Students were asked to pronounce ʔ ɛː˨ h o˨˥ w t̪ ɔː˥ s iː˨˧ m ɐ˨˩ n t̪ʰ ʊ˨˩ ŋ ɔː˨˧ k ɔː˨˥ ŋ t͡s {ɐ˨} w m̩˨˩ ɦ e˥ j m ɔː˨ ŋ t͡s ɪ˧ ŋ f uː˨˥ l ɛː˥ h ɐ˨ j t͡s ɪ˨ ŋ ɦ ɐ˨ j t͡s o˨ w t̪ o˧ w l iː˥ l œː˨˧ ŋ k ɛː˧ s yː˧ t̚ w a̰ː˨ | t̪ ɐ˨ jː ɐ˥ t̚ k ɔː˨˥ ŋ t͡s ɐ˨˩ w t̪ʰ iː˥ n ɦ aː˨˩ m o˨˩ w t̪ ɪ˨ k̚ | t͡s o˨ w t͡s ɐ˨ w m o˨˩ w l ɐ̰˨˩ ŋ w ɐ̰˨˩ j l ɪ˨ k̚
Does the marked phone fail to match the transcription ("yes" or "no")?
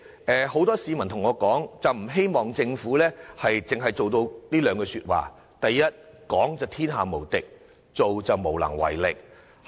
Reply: no